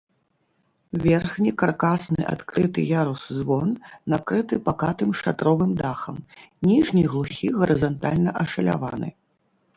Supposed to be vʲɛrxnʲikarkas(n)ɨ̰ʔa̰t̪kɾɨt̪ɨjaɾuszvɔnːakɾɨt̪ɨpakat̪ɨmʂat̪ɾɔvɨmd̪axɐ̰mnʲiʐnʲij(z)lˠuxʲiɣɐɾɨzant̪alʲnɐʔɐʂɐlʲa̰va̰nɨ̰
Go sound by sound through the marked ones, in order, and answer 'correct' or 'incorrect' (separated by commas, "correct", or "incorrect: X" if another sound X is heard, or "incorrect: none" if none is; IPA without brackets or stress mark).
correct, incorrect: ɣ